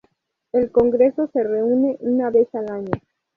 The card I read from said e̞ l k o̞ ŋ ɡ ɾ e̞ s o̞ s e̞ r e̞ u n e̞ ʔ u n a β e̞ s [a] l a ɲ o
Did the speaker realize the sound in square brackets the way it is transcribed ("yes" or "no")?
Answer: yes